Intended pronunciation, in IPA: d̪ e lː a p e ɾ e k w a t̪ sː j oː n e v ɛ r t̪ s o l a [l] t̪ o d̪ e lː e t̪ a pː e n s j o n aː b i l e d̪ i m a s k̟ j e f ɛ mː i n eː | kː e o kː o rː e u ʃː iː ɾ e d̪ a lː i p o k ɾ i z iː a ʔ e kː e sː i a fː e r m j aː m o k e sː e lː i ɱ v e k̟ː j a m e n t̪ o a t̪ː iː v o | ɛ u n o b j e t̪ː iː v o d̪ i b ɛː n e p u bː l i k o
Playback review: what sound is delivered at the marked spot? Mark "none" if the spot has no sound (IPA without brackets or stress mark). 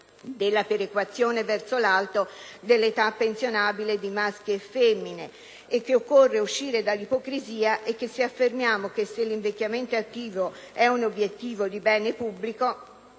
l